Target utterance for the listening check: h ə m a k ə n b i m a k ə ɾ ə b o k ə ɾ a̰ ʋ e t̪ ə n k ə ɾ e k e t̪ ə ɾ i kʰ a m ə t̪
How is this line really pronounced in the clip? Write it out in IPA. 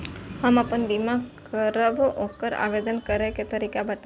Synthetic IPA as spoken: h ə m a p ə n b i m a k ə ɾ ə b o k ə ɾ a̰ ʋ e d̪ ə n k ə ɾ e k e t̪ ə ɾ i k a b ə t̪